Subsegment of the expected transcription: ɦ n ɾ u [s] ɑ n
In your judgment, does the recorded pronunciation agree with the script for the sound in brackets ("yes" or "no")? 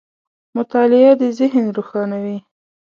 no